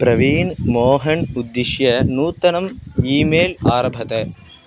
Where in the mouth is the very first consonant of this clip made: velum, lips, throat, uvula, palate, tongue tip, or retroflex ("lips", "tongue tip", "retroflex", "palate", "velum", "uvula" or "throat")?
lips